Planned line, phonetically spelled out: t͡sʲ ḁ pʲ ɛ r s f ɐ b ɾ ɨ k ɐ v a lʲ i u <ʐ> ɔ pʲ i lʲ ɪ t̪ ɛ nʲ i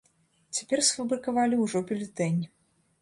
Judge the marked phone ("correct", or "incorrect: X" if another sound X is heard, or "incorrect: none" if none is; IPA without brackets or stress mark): correct